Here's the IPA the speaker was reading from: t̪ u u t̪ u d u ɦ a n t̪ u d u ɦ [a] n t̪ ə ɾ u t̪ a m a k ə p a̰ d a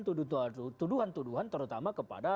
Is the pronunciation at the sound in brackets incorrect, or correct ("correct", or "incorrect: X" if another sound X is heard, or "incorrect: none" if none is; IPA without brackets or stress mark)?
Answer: correct